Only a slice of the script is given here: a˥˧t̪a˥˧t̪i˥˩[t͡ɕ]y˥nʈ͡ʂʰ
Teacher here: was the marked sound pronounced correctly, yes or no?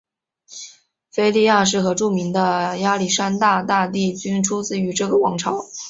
yes